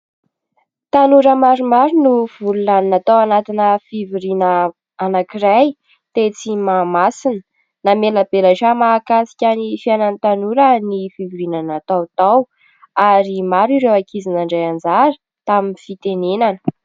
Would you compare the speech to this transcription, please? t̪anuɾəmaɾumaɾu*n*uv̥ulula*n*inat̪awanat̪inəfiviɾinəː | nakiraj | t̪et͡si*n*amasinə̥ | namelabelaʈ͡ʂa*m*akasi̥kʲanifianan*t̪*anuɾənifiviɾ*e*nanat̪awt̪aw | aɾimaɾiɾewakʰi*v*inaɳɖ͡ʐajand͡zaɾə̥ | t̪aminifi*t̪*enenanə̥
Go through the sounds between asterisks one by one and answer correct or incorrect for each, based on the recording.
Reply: correct, correct, incorrect: m, correct, correct, incorrect: i, incorrect: z, correct

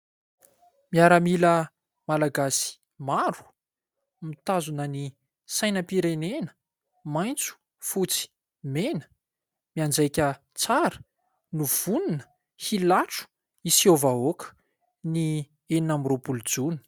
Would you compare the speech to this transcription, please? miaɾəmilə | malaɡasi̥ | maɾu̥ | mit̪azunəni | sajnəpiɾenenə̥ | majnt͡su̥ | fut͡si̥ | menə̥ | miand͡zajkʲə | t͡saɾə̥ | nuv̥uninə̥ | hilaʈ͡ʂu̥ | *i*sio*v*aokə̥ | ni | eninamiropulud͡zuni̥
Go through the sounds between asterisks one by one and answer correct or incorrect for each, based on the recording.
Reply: correct, correct

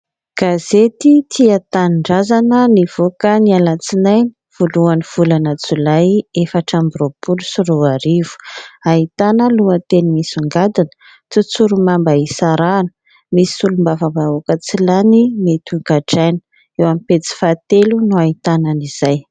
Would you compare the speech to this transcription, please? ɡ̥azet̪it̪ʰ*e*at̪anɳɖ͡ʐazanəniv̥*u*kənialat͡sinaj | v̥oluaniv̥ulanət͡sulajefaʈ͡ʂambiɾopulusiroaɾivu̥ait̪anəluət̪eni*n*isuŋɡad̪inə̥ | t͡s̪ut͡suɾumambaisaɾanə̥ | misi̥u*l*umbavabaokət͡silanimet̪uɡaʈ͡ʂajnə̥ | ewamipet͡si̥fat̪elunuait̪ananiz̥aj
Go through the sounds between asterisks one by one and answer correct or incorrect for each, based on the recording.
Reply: incorrect: i, incorrect: o, incorrect: m, correct

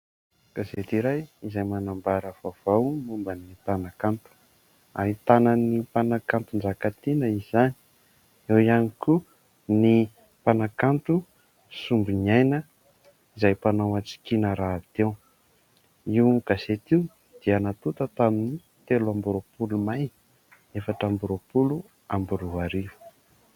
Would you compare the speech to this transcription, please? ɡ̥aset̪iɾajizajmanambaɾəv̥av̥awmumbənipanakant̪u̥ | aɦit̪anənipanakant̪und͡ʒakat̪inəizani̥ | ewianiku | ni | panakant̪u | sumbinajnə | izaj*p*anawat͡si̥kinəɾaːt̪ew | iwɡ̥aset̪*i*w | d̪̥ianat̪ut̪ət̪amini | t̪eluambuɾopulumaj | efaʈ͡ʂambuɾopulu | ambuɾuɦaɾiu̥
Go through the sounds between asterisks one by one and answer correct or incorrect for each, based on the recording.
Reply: correct, correct

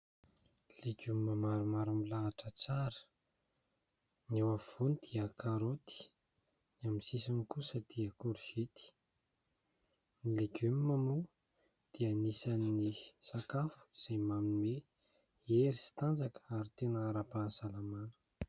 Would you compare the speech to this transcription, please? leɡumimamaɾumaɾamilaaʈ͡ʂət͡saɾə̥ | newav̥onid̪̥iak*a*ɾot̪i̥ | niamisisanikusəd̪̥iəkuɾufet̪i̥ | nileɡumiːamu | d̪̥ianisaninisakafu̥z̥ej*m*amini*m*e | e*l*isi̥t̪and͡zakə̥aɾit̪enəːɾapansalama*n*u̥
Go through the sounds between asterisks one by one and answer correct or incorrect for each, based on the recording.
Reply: correct, correct, correct, incorrect: ɾ, correct

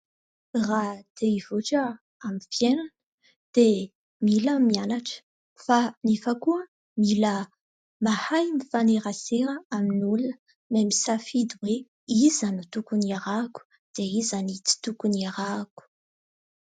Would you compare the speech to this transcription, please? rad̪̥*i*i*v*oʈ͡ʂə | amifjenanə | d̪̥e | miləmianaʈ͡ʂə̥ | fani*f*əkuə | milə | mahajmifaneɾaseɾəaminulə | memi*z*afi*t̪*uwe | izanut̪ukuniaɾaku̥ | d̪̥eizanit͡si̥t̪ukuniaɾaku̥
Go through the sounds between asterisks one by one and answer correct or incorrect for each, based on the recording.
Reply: incorrect: e, correct, correct, incorrect: s, incorrect: d̪

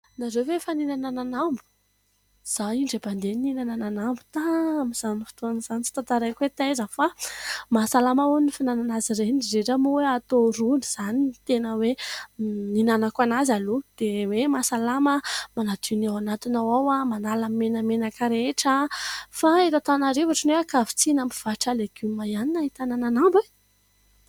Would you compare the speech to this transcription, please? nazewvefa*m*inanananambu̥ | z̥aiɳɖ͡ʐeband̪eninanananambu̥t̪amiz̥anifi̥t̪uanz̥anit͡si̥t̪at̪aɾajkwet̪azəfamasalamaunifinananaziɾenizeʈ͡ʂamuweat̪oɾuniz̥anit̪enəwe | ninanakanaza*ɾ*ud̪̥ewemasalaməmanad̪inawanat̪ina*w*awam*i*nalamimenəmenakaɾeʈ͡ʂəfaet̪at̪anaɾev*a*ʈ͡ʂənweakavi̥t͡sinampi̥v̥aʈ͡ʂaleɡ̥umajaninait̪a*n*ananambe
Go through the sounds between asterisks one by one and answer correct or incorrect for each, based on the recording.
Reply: incorrect: n, incorrect: l, correct, incorrect: a, correct, correct

